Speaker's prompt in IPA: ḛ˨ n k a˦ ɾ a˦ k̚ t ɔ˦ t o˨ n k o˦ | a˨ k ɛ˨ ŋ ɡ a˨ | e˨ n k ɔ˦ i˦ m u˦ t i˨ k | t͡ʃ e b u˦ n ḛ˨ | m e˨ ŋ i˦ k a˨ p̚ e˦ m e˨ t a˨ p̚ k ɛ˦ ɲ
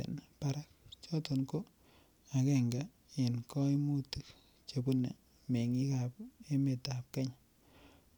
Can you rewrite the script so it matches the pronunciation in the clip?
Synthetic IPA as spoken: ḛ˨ n p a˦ ɾ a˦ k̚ t͡ʃ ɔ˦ t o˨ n k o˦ | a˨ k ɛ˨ ŋ ɡ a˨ | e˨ n k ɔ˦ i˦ m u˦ t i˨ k | t͡ʃ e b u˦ n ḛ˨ | m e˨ ŋ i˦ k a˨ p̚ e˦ m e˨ t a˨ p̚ k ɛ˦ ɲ